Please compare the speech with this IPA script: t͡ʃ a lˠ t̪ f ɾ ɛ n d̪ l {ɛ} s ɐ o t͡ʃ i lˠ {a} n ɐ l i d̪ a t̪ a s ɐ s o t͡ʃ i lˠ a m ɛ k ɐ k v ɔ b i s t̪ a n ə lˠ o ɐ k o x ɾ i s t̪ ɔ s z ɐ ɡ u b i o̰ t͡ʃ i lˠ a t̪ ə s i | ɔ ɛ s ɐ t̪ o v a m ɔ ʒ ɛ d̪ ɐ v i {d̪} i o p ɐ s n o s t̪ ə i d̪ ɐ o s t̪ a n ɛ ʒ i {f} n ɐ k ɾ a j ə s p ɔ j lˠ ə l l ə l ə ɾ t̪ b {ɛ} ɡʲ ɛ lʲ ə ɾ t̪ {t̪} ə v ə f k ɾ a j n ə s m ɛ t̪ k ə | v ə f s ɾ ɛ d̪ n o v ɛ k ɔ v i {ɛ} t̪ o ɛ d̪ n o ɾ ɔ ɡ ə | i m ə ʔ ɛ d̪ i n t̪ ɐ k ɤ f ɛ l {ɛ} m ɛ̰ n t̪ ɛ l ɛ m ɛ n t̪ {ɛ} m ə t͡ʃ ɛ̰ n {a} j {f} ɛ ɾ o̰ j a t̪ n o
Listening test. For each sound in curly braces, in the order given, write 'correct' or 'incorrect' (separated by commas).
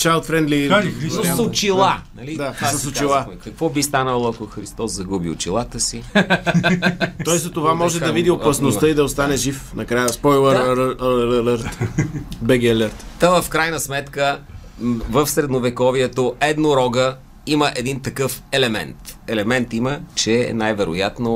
incorrect, correct, correct, correct, correct, correct, correct, correct, incorrect, correct, incorrect